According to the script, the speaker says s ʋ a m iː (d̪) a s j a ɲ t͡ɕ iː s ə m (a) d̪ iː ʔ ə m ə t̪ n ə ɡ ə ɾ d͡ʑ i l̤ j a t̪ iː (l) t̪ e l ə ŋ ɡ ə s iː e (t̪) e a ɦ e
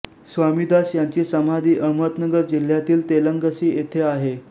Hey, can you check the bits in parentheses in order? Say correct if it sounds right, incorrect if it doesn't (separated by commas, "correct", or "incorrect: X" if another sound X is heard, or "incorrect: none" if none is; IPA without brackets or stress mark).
correct, correct, correct, incorrect: t̪ʰ